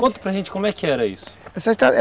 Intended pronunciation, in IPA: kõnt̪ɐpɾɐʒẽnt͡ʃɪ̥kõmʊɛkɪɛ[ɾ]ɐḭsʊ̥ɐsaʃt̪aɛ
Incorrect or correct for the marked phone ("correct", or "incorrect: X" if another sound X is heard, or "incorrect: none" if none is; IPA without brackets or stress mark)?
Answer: correct